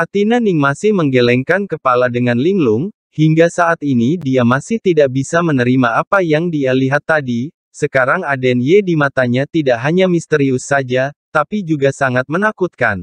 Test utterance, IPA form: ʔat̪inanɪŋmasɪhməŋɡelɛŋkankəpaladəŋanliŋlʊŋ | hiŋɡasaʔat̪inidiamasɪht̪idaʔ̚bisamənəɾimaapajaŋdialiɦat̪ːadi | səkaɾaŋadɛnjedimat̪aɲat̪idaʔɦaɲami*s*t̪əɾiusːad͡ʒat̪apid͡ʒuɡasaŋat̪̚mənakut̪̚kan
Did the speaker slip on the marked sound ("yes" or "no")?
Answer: no